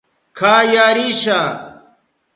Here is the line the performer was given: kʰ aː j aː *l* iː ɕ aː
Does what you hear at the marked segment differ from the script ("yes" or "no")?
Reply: yes